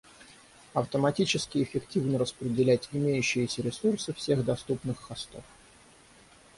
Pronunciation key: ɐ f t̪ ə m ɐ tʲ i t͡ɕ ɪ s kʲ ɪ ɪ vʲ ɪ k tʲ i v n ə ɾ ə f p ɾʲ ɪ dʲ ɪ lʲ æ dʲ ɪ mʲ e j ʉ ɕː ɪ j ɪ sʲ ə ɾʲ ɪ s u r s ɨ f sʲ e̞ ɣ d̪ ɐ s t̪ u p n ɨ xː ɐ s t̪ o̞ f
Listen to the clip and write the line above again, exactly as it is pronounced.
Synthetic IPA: ɐ f t̪ ə m ɐ tʲ i t͡ɕ ɪ s kʲ ɪ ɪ fʲ ɪ k tʲ i v n ə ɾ ə s p ɾʲ ɪ dʲ ɪ lʲ æ tʲ ɪ mʲ e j ʉ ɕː ɪ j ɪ sʲ ə ɾʲ ɪ s u r s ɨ f sʲ e̞ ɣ d̪ ɐ s t̪ u p n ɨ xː ɐ s t̪ o̞ f